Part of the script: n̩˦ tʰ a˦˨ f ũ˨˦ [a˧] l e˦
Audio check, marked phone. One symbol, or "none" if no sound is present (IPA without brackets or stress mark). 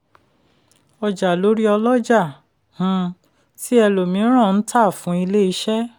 i˧